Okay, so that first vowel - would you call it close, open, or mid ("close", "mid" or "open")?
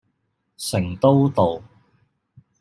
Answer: close